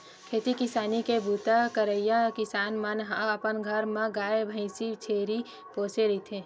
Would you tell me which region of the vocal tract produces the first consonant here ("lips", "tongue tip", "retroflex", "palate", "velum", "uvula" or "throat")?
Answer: velum